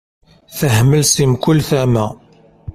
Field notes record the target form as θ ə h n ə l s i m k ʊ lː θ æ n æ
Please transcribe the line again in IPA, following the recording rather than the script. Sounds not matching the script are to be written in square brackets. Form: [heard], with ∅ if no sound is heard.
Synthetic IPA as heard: θ ə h [m] ə l s i m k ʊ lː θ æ [m] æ

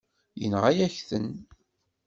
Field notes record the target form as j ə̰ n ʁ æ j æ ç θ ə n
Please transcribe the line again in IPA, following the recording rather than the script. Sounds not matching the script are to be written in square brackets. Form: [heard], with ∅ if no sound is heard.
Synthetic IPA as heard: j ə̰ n ʁ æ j æ ç θ ə n

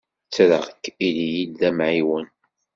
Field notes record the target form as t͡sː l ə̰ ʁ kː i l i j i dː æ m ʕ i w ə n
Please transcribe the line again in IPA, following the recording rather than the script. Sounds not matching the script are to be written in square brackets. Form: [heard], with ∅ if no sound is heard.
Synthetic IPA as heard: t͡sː [ɾ] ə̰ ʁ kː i l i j i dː æ m ʕ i w ə n

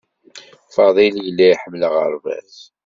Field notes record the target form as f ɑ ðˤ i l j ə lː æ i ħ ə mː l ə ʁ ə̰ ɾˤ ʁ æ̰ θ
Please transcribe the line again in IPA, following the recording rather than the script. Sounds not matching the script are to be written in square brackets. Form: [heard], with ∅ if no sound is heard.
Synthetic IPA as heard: f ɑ ðˤ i l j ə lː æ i ħ ə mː l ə ʁ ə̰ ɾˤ [v] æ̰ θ

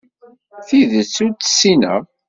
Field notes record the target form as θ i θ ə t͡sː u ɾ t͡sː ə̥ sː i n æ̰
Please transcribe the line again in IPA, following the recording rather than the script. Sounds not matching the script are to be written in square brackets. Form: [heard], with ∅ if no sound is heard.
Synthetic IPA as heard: θ i [ð] ə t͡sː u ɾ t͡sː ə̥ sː i n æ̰

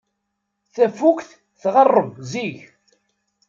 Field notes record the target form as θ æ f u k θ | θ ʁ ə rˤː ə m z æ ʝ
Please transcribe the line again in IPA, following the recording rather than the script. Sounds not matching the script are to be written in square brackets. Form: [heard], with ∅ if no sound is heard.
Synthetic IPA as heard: θ æ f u k θ | θ ʁ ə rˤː ə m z [i] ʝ

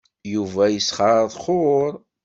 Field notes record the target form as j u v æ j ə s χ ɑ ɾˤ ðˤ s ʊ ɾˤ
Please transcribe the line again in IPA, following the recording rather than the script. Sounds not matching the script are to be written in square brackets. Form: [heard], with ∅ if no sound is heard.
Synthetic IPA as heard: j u v æ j ə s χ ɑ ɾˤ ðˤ [χ] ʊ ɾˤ

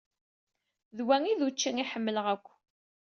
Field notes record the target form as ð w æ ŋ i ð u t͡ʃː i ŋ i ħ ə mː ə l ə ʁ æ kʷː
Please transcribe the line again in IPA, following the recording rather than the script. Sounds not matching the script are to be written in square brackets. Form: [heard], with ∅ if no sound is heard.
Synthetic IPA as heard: ð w æ ŋ i ð u t͡ʃː i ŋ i ħ ə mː ə l ə ʁ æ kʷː

